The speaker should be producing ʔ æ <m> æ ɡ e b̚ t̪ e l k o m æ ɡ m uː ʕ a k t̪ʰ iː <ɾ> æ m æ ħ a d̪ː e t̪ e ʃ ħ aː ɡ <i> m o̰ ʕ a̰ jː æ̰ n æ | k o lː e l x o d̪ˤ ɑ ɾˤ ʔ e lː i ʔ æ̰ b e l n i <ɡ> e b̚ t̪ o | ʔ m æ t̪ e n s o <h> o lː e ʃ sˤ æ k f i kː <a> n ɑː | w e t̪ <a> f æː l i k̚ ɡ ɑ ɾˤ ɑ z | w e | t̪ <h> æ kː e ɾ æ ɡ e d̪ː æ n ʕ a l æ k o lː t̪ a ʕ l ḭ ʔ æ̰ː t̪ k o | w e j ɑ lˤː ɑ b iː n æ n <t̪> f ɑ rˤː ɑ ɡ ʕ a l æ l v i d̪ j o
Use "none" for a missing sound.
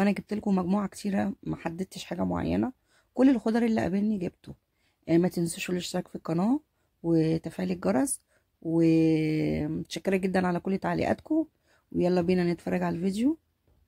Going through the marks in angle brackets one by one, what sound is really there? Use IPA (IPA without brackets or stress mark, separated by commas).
n, ɾ, æ, ɡ, ʃ, ɑ, æ, ʃ, t̪